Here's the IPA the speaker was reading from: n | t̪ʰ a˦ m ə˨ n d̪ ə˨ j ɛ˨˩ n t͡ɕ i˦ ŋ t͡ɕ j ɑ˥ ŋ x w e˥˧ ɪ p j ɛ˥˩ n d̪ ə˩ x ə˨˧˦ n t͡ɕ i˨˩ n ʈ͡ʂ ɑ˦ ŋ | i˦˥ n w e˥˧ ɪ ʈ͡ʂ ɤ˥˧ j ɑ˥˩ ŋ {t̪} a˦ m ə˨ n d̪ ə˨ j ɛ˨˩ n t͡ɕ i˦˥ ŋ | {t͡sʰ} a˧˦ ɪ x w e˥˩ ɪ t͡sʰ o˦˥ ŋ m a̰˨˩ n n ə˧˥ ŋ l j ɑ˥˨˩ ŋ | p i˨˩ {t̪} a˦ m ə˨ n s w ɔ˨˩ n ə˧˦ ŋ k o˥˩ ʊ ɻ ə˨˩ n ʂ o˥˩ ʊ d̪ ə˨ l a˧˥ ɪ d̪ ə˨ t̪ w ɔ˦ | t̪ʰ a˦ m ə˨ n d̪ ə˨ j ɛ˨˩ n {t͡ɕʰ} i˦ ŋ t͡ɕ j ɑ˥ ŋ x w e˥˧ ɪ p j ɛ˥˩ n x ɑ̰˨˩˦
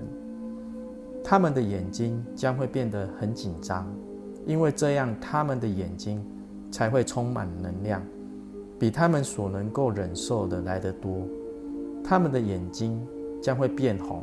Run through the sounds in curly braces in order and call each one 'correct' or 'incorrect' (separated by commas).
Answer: incorrect, correct, incorrect, incorrect